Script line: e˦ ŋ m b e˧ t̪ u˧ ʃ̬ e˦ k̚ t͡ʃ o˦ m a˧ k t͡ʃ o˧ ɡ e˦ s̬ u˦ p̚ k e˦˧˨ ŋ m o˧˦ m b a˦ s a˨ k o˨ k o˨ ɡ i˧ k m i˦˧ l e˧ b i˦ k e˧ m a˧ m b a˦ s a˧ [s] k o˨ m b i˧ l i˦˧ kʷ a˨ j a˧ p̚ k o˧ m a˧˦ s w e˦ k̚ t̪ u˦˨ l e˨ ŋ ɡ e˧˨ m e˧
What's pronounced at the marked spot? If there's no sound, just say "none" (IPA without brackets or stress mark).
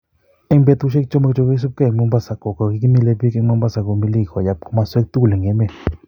none